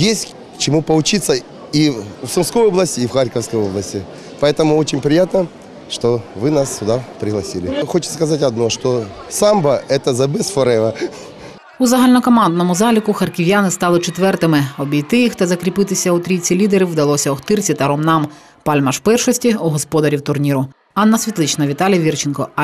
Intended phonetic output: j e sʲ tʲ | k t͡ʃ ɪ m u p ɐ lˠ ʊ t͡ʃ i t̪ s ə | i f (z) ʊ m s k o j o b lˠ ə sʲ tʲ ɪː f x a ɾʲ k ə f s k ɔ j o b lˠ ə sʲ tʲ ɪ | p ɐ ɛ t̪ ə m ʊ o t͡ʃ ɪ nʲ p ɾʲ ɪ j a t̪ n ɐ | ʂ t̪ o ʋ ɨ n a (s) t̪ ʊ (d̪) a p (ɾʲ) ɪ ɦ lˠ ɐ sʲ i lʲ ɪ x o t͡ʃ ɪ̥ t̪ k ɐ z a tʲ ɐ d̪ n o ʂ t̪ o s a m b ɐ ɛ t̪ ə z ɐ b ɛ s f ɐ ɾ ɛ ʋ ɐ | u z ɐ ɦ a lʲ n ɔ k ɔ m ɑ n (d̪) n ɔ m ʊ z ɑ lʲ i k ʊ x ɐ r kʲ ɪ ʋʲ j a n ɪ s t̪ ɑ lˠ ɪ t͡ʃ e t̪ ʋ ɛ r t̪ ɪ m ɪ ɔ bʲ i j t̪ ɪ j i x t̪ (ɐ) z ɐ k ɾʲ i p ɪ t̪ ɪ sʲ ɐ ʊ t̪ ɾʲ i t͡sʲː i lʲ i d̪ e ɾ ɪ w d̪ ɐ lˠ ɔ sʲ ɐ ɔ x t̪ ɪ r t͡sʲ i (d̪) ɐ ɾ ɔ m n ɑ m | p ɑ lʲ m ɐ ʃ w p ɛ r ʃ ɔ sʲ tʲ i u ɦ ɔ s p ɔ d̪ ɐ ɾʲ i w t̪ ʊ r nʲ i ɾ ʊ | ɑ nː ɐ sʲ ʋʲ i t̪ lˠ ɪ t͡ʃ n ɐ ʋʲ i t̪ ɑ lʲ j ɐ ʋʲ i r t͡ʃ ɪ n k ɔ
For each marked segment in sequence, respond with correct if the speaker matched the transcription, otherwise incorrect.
incorrect: s, correct, correct, correct, correct, correct, incorrect: t̪

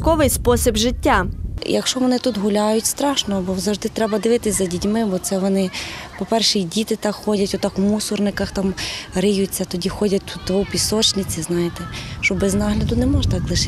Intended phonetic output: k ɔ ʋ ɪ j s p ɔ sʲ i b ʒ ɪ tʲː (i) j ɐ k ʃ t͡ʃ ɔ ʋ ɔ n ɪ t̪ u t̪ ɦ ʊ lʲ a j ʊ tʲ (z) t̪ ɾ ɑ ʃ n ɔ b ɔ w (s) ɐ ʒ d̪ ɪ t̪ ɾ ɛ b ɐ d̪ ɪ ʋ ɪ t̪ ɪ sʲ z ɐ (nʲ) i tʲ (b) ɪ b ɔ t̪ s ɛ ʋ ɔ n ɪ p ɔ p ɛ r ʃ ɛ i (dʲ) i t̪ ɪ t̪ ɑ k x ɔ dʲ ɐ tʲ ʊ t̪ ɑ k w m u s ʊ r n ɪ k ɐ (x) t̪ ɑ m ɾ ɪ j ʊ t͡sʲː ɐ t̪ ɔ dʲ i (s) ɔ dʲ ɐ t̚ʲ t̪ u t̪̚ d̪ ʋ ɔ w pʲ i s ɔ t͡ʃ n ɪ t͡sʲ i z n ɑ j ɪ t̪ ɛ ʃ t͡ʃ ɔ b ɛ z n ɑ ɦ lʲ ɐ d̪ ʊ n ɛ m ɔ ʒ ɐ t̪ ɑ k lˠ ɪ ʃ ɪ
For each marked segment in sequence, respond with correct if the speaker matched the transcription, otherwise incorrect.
incorrect: a, incorrect: s, incorrect: z, incorrect: dʲ, incorrect: m, correct, correct, incorrect: x

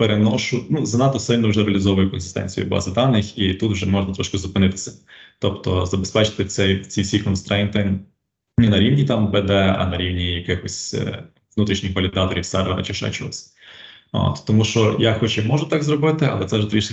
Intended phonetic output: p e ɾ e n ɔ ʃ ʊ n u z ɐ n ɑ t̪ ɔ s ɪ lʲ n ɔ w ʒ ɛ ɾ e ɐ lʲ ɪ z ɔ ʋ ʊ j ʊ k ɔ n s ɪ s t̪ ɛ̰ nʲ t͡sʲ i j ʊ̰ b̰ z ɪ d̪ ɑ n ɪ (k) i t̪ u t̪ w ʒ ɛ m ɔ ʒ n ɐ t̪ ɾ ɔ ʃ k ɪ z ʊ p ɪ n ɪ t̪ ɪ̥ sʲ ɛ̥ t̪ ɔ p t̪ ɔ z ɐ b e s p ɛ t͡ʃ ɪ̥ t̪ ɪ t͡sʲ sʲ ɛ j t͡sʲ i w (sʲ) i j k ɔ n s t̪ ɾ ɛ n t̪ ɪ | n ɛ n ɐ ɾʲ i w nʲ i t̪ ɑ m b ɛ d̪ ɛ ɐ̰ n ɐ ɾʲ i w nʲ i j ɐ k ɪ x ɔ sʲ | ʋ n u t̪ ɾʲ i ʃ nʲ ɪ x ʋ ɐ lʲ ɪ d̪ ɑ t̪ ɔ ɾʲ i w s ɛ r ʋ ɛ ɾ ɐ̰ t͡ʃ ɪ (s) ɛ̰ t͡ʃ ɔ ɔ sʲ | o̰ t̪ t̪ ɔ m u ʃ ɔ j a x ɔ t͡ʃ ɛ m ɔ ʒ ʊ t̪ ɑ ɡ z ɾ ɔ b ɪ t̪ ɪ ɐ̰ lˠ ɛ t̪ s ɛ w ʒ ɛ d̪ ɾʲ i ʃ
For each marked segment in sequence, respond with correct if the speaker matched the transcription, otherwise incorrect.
incorrect: x, correct, incorrect: ʃ

